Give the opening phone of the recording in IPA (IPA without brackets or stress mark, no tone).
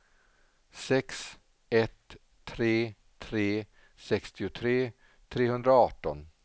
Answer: s